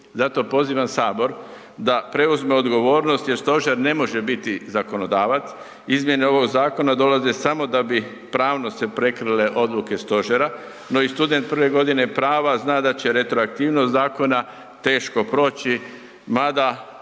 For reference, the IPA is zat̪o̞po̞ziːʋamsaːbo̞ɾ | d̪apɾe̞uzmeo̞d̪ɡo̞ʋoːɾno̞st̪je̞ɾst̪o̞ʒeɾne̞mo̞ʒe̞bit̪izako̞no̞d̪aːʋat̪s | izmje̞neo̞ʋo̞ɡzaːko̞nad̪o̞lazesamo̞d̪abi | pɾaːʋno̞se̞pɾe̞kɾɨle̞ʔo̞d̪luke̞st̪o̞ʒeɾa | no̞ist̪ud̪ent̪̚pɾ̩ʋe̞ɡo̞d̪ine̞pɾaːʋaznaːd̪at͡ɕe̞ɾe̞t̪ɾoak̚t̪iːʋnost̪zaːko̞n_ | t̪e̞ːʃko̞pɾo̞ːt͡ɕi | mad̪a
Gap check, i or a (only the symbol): a